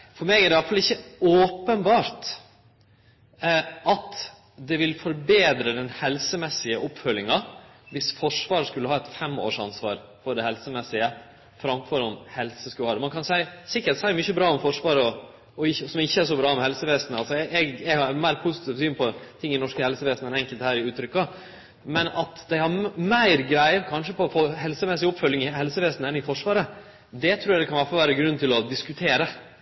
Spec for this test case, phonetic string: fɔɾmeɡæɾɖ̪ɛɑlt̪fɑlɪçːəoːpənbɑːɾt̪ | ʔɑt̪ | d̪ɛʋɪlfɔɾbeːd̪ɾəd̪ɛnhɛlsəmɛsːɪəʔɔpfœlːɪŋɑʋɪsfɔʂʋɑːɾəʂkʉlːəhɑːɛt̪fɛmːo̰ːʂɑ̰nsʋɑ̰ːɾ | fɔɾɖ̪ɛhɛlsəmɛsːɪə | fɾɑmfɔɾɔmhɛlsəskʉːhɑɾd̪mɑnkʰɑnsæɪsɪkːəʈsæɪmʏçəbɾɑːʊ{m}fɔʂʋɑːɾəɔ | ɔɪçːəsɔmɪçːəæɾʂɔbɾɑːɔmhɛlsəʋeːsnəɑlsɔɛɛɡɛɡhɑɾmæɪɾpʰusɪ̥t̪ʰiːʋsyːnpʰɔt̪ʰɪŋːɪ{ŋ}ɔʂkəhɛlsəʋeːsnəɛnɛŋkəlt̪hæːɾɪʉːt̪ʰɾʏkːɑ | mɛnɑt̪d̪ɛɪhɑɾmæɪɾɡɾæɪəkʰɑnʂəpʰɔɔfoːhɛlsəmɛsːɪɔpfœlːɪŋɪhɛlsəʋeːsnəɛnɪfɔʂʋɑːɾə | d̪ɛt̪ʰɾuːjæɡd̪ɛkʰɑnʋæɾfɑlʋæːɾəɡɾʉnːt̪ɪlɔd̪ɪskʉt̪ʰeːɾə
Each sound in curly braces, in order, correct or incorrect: correct, incorrect

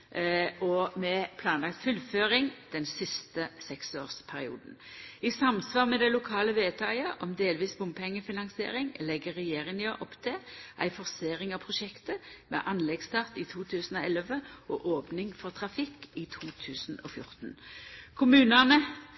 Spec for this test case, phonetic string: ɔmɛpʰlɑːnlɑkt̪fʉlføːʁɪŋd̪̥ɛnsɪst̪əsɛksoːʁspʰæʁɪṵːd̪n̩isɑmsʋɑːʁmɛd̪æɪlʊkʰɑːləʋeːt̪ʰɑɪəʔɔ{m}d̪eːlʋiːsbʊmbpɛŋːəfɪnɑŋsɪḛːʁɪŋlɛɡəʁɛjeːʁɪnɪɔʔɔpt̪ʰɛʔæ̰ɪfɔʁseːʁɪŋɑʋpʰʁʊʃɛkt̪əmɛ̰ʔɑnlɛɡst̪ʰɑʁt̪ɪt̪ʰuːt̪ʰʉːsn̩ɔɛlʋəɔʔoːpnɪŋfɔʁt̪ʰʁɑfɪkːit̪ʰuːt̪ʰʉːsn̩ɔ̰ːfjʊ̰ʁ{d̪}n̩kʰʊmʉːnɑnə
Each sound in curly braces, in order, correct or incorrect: correct, incorrect

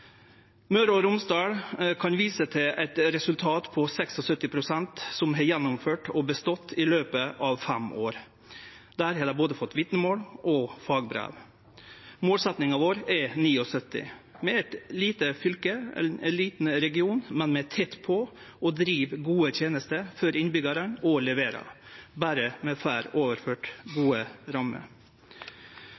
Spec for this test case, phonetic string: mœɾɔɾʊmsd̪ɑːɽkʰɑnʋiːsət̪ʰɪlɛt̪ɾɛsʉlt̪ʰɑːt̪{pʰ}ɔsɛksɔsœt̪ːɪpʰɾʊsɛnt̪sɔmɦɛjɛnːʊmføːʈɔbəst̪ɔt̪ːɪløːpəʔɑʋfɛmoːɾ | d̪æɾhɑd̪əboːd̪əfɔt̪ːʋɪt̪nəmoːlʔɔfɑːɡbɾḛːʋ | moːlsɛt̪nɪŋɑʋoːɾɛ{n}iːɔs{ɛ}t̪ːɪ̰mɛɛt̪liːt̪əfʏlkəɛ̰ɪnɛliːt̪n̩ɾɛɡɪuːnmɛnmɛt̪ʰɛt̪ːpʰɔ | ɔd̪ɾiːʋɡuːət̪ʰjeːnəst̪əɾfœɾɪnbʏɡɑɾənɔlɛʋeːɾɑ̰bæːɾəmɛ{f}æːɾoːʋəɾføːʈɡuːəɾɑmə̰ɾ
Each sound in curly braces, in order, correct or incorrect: correct, correct, incorrect, correct

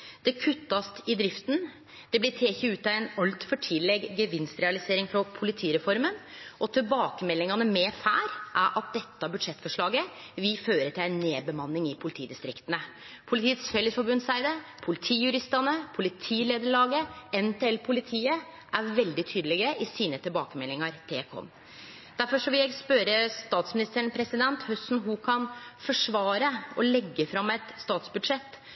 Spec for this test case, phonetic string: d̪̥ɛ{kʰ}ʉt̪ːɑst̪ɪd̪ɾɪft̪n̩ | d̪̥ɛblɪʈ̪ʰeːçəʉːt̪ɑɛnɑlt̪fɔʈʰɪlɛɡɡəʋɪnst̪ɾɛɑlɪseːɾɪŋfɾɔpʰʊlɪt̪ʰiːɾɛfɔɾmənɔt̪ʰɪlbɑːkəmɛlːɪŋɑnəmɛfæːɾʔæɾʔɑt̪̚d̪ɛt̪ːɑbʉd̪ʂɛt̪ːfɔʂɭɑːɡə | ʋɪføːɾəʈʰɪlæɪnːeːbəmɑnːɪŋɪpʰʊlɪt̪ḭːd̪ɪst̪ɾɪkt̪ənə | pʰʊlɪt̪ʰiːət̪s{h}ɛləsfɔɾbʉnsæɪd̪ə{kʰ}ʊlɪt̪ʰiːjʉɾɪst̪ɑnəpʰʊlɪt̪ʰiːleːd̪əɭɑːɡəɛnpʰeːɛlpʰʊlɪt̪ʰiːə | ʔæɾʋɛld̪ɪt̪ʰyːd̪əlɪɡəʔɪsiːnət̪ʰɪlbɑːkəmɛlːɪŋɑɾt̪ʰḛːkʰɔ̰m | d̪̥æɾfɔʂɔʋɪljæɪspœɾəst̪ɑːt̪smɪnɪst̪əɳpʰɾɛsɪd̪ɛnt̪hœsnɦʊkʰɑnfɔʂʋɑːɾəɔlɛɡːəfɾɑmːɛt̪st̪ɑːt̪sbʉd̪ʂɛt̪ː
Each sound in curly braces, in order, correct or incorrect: correct, incorrect, incorrect

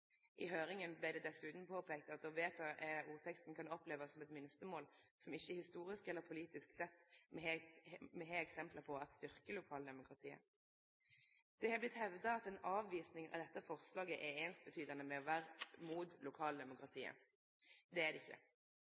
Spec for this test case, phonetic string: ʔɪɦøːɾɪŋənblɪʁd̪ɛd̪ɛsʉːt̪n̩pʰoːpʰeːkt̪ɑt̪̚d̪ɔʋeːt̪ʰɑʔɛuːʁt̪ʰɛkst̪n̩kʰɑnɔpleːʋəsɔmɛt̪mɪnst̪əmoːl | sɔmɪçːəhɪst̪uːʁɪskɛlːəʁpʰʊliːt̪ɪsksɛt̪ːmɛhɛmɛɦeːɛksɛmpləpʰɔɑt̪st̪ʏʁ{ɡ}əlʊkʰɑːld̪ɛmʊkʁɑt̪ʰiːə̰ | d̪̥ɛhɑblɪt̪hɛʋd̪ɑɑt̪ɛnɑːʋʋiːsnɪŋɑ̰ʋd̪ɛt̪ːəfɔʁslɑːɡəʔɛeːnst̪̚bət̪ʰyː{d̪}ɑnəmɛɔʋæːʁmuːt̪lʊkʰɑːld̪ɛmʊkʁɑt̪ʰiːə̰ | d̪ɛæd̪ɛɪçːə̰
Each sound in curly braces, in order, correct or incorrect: incorrect, correct

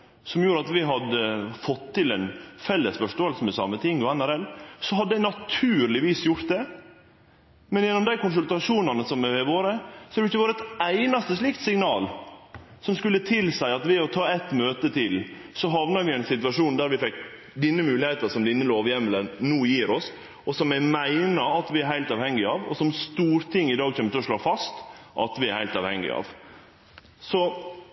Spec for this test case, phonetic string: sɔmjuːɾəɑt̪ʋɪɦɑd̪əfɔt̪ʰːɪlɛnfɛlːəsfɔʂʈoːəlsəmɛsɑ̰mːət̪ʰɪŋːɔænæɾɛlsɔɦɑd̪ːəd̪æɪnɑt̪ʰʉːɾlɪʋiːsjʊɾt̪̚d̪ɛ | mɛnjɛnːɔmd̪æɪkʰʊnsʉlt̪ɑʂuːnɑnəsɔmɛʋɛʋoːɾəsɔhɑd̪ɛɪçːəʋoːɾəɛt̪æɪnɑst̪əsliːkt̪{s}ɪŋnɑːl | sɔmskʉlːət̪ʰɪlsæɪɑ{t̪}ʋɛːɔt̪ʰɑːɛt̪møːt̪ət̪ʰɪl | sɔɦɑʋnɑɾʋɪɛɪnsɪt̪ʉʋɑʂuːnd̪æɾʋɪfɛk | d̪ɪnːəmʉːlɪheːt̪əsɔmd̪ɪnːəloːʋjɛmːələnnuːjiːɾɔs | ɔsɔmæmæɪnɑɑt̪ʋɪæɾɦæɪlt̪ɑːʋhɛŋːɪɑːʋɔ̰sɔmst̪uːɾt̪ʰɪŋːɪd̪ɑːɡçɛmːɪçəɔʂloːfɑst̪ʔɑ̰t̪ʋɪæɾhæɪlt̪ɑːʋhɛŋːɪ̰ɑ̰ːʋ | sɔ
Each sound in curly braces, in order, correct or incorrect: correct, correct

